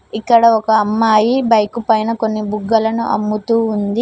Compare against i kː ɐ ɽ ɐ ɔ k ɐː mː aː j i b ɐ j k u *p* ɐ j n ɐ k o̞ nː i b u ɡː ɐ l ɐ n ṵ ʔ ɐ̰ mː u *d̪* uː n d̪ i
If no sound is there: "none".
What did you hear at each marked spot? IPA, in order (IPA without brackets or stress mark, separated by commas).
p, t̪